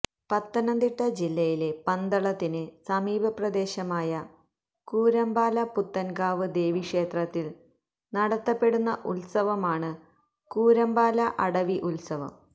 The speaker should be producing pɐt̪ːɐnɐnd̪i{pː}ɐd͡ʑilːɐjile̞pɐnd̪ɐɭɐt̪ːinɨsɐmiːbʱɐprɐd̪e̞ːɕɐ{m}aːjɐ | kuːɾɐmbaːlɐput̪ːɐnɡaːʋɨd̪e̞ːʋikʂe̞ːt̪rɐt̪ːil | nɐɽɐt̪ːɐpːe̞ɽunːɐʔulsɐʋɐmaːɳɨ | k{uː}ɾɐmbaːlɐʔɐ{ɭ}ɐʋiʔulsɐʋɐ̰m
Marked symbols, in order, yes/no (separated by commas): no, yes, yes, no